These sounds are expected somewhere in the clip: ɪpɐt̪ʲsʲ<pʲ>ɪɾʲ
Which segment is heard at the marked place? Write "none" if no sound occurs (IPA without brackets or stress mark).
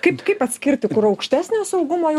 kʲ